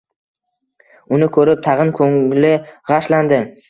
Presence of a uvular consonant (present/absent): present